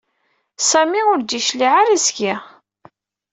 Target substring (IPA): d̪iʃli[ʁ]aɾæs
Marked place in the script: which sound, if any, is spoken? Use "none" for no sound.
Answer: ʕ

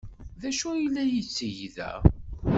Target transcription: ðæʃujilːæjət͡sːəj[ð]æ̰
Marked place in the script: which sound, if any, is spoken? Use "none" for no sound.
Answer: ð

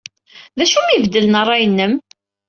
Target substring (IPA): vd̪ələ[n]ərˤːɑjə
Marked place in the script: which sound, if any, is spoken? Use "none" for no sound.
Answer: n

